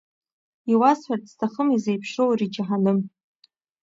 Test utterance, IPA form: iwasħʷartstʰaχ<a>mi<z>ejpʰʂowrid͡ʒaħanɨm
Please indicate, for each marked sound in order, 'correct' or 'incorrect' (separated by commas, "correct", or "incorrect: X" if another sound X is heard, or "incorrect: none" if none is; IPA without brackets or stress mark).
incorrect: ə, correct